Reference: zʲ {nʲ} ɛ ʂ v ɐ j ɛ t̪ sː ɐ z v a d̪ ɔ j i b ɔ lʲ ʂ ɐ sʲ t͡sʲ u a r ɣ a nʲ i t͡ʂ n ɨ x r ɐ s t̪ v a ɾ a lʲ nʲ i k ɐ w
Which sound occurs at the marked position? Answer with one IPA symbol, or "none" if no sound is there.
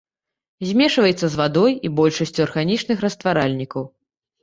mʲ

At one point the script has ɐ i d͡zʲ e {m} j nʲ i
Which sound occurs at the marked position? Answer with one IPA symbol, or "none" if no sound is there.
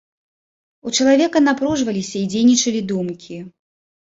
none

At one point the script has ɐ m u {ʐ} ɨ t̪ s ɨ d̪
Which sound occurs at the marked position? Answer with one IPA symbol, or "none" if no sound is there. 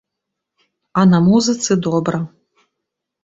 z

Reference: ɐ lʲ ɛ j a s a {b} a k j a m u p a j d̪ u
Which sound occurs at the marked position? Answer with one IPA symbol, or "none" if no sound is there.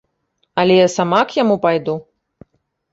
m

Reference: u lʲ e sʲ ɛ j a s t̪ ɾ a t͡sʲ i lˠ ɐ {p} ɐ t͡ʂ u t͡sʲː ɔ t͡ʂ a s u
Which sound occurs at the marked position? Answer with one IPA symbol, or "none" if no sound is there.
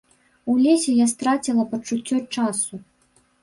p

